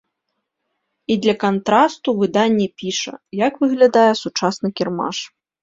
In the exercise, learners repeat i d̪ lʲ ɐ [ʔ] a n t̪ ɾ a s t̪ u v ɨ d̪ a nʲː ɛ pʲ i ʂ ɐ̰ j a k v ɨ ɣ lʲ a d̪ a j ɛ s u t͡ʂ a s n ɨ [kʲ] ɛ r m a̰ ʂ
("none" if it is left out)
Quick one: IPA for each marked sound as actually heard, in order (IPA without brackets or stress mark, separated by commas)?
k, kʲ